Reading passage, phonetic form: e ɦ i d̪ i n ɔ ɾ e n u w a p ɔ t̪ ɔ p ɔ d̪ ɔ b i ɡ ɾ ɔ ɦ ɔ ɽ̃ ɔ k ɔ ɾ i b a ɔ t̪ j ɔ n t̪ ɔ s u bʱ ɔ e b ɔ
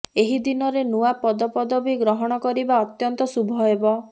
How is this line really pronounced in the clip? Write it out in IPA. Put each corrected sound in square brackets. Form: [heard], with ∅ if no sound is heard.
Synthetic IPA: e ɦ i d̪ i n ɔ ɾ e n u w a p ɔ [d̪] ɔ p ɔ d̪ ɔ b i ɡ ɾ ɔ ɦ ɔ ɽ̃ ɔ k ɔ ɾ i b a ɔ t̪ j ɔ n t̪ ɔ s u bʱ ɔ e b ɔ

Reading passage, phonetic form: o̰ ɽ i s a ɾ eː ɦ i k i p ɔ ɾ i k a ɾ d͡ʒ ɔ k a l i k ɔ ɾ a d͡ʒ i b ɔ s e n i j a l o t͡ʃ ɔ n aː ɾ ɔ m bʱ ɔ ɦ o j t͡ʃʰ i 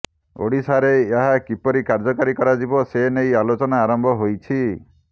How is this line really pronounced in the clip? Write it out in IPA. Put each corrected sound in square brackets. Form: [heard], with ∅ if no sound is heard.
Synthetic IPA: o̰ ɽ i s a ɾ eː ɦ [a] k i p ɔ ɾ i k a ɾ d͡ʒ ɔ k a [ɾ] i k ɔ ɾ a d͡ʒ i b ɔ s e n [e] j a l o t͡ʃ ɔ n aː ɾ ɔ m bʱ ɔ ɦ o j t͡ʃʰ i

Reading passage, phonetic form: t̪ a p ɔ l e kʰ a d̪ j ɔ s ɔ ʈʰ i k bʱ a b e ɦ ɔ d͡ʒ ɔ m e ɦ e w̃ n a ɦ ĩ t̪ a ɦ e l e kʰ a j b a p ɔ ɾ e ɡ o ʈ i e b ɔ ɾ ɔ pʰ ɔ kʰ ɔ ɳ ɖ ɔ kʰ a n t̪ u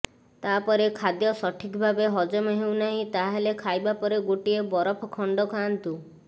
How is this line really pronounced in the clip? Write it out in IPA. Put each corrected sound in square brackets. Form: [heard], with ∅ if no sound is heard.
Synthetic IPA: t̪ a p ɔ [ɾ] e kʰ a d̪ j ɔ s ɔ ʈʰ i k bʱ a b e ɦ ɔ d͡ʒ ɔ m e ɦ e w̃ n a ɦ ĩ t̪ a ɦ e l e kʰ a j b a p ɔ ɾ e ɡ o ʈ i e b ɔ ɾ ɔ pʰ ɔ kʰ ɔ ɳ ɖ ɔ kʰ a n t̪ u

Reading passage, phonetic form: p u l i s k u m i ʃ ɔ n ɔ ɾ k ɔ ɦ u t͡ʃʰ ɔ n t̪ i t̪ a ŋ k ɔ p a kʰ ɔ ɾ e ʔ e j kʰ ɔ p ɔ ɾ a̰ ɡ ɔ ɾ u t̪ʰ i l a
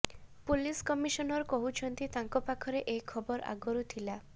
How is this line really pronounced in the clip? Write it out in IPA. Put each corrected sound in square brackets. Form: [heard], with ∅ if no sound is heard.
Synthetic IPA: p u l i s k [ɔ] m i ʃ ɔ n ɔ ɾ k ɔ ɦ u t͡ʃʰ ɔ n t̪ i t̪ a ŋ k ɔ p a kʰ ɔ ɾ e ʔ e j kʰ ɔ [b] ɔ ɾ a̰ ɡ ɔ ɾ u t̪ʰ i l a

